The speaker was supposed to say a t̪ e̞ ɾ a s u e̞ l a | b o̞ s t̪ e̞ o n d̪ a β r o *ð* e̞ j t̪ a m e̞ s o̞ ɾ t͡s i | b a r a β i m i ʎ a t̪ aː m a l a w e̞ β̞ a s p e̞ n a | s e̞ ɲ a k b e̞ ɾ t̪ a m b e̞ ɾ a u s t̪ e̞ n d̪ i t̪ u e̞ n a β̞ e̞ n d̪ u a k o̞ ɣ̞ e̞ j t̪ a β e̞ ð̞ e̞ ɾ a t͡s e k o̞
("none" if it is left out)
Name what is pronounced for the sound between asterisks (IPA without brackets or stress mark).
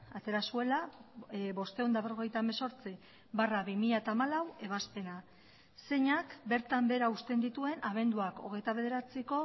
ɣ